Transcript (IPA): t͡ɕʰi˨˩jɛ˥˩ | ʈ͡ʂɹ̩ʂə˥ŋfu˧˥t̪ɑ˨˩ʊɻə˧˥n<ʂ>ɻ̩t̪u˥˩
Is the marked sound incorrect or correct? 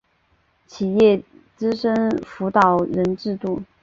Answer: incorrect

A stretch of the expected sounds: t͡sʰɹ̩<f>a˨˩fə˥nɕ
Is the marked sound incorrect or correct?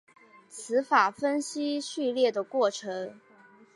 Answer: correct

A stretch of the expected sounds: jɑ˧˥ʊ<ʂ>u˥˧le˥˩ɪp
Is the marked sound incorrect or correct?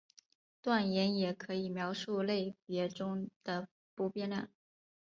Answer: correct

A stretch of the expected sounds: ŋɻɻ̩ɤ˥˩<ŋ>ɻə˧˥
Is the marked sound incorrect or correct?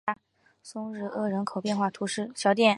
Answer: incorrect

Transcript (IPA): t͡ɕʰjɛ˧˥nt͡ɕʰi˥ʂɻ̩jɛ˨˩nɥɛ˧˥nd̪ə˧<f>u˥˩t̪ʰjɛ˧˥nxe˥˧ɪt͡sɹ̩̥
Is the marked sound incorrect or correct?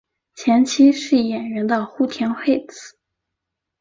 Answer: incorrect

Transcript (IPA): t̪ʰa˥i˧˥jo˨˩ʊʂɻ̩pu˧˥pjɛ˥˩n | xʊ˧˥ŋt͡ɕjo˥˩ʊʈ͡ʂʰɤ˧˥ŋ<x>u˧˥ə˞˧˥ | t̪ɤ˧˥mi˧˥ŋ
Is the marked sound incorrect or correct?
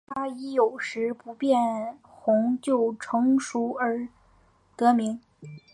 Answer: incorrect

